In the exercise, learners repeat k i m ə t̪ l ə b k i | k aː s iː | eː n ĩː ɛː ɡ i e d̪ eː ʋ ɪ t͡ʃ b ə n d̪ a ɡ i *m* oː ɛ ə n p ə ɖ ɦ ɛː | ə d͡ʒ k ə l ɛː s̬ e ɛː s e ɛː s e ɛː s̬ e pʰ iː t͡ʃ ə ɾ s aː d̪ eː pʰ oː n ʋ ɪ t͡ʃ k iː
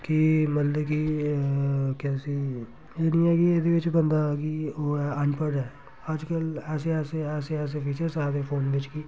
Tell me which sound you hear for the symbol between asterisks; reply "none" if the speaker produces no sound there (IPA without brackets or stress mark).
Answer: none